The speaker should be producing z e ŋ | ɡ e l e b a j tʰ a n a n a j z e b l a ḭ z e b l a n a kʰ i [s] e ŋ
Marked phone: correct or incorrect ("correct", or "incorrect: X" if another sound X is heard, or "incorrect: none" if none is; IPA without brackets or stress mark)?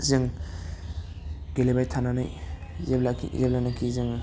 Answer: incorrect: z